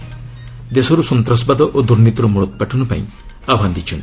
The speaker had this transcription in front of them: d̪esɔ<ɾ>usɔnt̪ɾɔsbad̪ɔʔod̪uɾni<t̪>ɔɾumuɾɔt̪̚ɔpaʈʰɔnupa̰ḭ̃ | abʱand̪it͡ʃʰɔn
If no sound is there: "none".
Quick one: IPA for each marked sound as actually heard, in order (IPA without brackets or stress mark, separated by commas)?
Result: ɾ, t̪